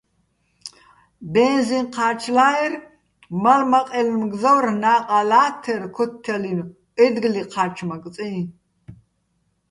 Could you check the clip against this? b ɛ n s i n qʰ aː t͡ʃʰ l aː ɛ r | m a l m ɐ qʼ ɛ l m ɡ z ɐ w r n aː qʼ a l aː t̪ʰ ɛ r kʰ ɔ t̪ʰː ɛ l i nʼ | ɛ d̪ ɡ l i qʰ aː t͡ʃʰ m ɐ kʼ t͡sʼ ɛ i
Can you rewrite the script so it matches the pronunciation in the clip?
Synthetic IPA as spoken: b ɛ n z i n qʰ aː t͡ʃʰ l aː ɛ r | m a l m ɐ qʼ ɛ l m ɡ z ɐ w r n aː qʼ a l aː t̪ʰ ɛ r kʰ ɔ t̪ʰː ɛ l i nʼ | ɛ d̪ ɡ l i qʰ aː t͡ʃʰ m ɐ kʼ t͡sʼ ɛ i